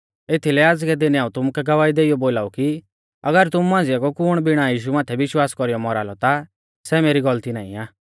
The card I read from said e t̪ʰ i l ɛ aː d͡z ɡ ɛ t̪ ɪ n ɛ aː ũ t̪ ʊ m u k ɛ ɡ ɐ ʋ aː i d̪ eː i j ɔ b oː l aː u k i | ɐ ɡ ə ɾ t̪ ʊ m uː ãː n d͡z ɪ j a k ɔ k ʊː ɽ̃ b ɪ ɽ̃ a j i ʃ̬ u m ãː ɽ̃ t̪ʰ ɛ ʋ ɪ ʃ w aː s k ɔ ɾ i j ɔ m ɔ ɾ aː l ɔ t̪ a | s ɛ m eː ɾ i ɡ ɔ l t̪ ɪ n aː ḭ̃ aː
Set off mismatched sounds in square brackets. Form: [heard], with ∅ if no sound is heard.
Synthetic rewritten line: e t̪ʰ i l ɛ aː d͡z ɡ ɛ [d̪] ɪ n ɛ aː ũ t̪ ʊ m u k ɛ ɡ ɐ ʋ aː i d̪ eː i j ɔ b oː l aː u k i | ɐ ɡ ə ɾ t̪ ʊ m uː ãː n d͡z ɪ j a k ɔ k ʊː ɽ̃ b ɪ ɽ̃ a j [iː] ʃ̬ u m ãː [∅] t̪ʰ ɛ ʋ ɪ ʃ w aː s k ɔ ɾ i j ɔ m ɔ ɾ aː l ɔ t̪ a | s ɛ m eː ɾ i ɡ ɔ l t̪ [i] n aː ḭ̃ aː